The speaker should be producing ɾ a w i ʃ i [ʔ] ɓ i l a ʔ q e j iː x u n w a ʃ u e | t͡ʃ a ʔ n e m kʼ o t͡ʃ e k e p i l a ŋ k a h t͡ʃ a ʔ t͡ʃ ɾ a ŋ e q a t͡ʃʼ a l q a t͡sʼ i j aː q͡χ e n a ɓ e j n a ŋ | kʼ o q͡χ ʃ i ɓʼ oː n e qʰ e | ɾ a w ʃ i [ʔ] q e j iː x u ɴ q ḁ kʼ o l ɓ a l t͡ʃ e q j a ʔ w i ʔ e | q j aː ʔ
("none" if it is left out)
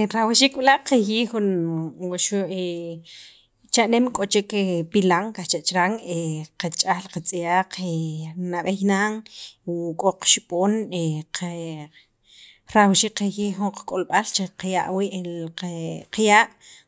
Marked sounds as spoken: k, k

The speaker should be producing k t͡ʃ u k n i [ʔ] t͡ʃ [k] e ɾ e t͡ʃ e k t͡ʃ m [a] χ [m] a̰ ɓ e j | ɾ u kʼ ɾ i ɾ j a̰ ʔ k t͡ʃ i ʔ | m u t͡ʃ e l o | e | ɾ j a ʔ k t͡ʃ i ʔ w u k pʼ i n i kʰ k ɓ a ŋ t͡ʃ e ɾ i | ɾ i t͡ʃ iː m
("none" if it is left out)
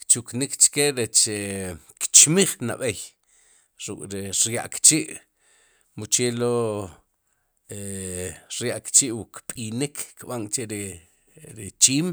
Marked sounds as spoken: k, k, i, n

